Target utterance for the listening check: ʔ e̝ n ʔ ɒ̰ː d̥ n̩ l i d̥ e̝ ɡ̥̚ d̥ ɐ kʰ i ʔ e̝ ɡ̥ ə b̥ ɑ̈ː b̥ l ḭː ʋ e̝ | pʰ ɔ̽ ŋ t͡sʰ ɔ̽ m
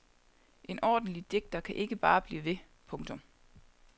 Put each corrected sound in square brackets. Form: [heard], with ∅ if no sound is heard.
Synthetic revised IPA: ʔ e̝ n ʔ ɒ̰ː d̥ n̩ l i d̥ e̝ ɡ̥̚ d̥ ɐ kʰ [æ] ʔ e̝ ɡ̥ ə b̥ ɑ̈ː b̥ l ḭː ʋ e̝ | pʰ ɔ̽ ŋ t͡sʰ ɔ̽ m